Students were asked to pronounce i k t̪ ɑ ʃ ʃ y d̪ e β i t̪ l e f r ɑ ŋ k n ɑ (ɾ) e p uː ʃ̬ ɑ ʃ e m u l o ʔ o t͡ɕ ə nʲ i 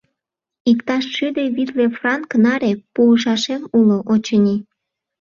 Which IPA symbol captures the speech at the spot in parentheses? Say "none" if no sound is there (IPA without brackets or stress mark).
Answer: ɾ